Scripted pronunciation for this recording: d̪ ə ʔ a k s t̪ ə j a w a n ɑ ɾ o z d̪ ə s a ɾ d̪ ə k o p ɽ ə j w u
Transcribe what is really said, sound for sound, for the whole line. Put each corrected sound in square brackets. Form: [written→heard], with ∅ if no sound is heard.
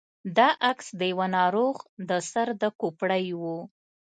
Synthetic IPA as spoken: d̪ [ə→ɑ] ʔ a k s [t̪→d̪] ə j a w a n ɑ ɾ o [z→ɣ] d̪ ə s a ɾ d̪ ə k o p ɽ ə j w u